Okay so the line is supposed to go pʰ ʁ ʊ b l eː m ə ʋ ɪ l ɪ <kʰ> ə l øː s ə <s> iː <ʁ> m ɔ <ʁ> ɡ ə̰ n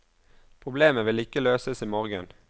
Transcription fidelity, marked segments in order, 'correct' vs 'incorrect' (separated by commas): incorrect, correct, incorrect, correct